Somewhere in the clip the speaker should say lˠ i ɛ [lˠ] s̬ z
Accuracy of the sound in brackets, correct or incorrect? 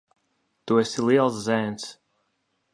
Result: correct